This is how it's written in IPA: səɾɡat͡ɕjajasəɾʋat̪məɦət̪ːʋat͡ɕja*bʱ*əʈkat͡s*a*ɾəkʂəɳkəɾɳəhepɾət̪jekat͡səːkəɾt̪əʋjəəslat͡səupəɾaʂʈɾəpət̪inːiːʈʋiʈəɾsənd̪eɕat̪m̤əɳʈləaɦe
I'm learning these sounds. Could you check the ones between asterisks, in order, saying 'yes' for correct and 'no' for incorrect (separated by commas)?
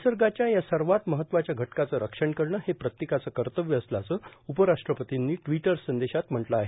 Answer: no, no